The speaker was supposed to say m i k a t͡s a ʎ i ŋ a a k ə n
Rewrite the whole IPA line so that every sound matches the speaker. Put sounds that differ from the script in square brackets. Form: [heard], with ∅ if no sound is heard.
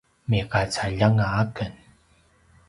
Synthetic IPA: m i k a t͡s a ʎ [a] ŋ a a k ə n